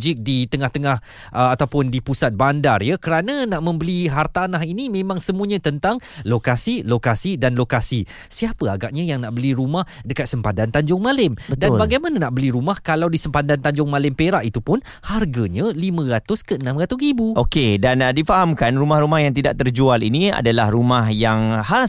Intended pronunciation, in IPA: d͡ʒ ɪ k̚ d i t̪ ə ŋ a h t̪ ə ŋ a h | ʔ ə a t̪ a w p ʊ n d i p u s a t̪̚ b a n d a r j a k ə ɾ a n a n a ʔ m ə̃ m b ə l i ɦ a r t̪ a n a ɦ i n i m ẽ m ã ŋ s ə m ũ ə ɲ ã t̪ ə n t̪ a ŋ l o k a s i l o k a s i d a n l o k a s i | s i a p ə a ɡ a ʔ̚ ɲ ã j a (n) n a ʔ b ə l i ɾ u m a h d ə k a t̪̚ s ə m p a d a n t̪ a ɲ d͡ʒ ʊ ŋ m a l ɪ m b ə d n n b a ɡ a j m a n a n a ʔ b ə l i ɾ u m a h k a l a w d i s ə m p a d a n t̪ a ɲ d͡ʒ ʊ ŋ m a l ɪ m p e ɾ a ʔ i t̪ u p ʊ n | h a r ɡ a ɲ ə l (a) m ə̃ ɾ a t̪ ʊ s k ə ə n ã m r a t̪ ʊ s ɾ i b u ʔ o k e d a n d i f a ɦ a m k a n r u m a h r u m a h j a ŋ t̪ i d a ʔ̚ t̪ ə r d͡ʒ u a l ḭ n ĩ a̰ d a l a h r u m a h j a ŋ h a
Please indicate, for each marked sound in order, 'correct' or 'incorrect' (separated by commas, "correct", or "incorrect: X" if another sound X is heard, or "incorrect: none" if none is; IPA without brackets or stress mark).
incorrect: ŋ, incorrect: i